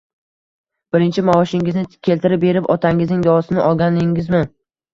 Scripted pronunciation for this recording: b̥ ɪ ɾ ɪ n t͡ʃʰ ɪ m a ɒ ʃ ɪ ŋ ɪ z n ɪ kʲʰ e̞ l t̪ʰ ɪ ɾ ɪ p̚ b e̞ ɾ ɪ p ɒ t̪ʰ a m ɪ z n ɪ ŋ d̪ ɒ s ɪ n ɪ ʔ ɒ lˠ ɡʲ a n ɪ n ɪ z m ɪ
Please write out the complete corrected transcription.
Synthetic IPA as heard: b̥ ɪ ɾ ɪ n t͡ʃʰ ɪ m a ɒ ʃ ɪ ŋ ɪ z n ɪ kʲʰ e̞ l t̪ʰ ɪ ɾ ɪ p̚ b e̞ ɾ ɪ p ɒ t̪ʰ a ŋ ɪ z n ɪ ŋ d̪ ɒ s ɪ n ɪ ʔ ɒ lˠ ɡʲ a n ɪ ŋ ɪ z m ɪ

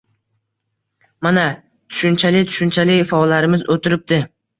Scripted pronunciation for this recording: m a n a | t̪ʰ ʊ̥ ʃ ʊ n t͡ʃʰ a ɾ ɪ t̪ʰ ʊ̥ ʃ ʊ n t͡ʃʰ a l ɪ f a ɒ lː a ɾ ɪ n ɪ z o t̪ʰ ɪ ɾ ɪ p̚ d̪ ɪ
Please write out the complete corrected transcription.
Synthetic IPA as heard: m a n a | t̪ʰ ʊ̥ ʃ ʊ n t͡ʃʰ a l ɪ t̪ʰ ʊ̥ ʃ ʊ n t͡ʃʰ a l ɪ f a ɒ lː a ɾ ɪ m ɪ z o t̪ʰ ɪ ɾ ɪ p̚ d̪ ɪ

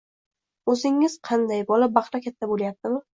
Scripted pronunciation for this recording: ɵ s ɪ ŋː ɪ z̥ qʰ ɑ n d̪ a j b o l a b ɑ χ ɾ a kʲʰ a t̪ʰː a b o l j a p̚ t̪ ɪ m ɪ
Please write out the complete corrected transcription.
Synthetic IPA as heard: ɵ z ɪ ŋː ɪ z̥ qʰ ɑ n d̪ a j b ɒ l a b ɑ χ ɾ a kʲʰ a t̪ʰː a b o l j a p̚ t̪ ɪ m ɪ

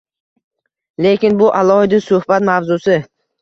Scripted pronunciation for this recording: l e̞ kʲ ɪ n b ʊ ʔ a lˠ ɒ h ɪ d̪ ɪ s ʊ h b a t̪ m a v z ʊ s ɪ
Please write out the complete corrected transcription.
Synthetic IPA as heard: l e̞ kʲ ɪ n b ʊ ʔ a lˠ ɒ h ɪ d̪ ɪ s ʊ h b a t̪ m a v z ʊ s ɪ

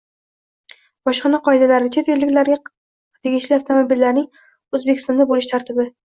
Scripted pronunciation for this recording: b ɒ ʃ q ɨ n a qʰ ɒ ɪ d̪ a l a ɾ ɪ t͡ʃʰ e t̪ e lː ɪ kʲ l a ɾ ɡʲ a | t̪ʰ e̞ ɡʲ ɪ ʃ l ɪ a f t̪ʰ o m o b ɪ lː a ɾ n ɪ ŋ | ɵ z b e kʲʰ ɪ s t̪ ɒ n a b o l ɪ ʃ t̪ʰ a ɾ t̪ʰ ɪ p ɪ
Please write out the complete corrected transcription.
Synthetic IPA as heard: b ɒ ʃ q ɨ n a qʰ ɒ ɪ d̪ a l a ɾ ɪ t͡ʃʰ e t̪ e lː ɪ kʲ l a ɾ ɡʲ a | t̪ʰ e̞ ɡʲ ɪ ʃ l ɪ a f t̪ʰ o m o b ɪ lː a ɾ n ɪ ŋ | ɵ z b e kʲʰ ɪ s t̪ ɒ n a b o l ɪ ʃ t̪ʰ a ɾ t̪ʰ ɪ b ɪ

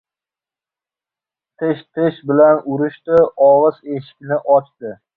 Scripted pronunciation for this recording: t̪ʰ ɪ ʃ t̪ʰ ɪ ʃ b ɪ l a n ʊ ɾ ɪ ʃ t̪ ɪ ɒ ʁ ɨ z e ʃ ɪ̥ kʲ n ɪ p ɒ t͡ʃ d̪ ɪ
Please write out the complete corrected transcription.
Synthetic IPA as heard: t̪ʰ ɪ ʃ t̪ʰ ɪ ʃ b ɪ l a n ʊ ɾ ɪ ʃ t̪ ɪ ɒ ʁ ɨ z e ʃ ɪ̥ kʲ n ɪ ʔ ɒ t͡ʃ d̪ ɪ

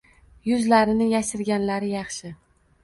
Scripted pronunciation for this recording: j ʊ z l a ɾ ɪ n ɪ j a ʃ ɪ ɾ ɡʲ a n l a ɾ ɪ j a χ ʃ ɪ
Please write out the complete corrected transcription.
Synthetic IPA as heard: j ʊ z l a ɾ ɪ n ɪ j a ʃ ɪ ɾ ɡʲ a n l a ɾ ɪ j ɑ χ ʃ ɪ

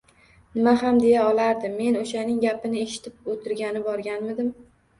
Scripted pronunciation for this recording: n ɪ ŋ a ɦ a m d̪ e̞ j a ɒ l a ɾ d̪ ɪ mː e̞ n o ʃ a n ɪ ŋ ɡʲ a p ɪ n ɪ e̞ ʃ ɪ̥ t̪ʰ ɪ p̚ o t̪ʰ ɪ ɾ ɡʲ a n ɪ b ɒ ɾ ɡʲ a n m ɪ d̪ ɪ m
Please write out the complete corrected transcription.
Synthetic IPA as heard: n ɪ m a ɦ a m d̪ e̞ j a ɒ l a ɾ d̪ ɪ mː e̞ n o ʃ a n ɪ ŋ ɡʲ a p ɪ n ɪ e̞ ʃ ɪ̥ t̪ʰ ɪ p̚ o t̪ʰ ɪ ɾ ɡʲ a n ɪ b ɒ ɾ ɡʲ a n m ɪ d̪ ɪ m

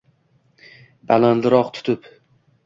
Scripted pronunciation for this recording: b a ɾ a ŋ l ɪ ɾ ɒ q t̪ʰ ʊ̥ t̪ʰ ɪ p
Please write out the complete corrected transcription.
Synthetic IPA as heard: b a l a n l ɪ ɾ ɒ q t̪ʰ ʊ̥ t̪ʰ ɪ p

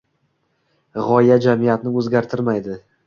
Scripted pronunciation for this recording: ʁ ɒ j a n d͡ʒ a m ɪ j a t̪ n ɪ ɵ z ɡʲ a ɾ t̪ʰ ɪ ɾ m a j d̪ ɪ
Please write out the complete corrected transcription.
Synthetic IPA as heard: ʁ ɒ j a d͡ʒ a m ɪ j a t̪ n ɪ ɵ z ɡʲ a ɾ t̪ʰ ɪ ɾ m a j d̪ ɪ

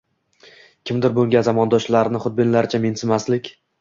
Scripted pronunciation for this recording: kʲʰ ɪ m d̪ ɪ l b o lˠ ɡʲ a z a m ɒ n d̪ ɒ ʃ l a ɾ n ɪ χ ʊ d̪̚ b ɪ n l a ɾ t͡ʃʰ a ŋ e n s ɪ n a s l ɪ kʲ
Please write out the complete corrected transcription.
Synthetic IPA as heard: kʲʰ ɪ m d̪ ɪ ɾ b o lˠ ɡʲ a z a m ɒ n d̪ ɒ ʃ l a ɾ n ɪ χ ʊ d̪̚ b ɪ n l a ɾ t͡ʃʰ a m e n s ɪ m a s l ɪ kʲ

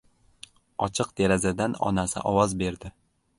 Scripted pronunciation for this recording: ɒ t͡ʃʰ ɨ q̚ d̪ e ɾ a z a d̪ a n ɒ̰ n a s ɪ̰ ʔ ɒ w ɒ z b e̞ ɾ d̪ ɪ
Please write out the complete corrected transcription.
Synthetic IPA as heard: ɒ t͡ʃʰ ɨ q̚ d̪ e ɾ a z a d̪ a n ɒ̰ n a s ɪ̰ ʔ ɒ w ɒ z b e̞ ɾ d̪ ɪ

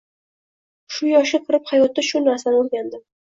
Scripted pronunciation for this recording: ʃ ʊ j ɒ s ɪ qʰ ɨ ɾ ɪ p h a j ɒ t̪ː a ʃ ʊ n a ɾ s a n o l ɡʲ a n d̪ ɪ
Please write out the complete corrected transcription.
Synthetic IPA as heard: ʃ ʊ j ɒ ʃ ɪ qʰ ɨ ɾ ɪ p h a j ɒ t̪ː a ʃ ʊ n a ɾ s a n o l ɡʲ a n d̪ ɪ

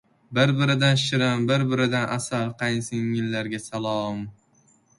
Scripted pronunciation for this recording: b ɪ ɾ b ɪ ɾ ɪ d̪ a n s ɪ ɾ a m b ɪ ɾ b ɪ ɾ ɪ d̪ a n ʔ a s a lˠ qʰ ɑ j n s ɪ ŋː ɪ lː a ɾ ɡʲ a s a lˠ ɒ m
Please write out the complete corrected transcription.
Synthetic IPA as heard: b ɪ ɾ b ɪ ɾ ɪ d̪ a n ʃ ɪ ɾ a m b ɪ ɾ b ɪ ɾ ɪ d̪ a n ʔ a s a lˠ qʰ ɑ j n s ɪ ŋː ɪ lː a ɾ ɡʲ a s a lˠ ɒ m

